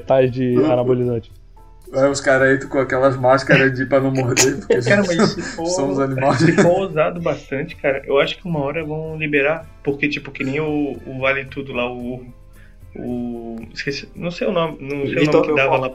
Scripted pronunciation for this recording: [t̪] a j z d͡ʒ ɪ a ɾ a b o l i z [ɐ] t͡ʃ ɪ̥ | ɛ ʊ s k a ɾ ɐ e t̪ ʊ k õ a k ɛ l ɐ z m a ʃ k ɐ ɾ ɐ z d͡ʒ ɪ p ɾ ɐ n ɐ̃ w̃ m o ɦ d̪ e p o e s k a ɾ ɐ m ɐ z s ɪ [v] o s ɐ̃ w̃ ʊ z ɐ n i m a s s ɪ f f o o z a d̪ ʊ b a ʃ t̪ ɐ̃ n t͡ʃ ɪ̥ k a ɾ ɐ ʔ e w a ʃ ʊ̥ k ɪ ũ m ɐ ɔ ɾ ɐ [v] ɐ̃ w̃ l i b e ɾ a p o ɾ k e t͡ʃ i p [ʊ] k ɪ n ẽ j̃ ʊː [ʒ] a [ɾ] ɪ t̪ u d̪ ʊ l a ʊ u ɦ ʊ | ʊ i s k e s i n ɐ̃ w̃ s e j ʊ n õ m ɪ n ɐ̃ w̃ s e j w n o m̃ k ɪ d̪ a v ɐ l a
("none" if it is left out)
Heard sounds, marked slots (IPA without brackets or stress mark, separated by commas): t̪, ɐ̃, f, v, ʊ, v, l